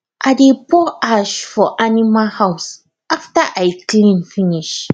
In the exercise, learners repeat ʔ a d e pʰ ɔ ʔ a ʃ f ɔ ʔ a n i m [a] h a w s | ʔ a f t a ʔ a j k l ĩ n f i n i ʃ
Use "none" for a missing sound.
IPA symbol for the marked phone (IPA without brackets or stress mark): a